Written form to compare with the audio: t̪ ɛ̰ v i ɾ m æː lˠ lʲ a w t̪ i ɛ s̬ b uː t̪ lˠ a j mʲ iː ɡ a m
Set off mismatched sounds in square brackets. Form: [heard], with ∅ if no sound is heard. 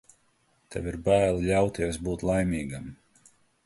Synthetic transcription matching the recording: t̪ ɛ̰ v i ɾ [b] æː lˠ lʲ a w t̪ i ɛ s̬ b uː t̪ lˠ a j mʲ iː ɡ a m